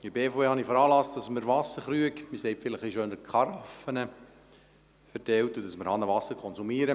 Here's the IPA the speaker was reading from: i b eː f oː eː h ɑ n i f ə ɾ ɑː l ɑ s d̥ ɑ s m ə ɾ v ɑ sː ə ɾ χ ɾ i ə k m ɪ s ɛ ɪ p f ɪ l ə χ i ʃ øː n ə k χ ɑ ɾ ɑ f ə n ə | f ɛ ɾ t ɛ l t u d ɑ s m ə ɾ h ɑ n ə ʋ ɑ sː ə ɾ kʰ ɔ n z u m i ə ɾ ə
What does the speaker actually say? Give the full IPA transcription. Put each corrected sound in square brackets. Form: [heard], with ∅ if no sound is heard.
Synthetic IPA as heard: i b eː f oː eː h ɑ n i f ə ɾ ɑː l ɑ s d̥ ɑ s m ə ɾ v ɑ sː ə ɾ χ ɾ [y] ə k m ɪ s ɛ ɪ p f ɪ l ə χ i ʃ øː n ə k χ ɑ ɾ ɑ f ə n ə | f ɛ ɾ t ɛ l t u d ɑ s m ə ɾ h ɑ n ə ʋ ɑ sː ə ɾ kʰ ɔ n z u m i ə ɾ ə